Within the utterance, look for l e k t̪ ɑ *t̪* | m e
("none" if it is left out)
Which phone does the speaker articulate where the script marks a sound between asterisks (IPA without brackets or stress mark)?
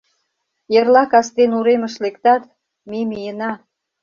t̪